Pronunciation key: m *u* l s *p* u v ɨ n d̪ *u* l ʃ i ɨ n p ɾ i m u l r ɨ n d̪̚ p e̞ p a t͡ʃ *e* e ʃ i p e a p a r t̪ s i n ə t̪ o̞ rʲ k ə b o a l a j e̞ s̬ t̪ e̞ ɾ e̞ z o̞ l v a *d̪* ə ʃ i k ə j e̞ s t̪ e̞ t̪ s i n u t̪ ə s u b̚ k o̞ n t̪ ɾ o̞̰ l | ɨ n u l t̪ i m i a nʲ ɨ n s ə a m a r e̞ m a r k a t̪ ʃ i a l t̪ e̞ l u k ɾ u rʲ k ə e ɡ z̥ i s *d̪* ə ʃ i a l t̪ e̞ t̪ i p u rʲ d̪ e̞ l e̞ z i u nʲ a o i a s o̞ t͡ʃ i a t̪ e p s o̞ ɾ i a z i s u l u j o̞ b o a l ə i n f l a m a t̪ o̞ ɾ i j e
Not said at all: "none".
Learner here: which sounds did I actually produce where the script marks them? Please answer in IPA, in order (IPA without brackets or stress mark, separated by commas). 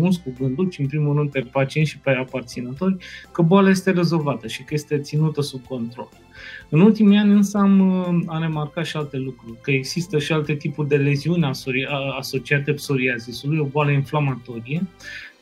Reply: u, k, u, i, t̪, t̪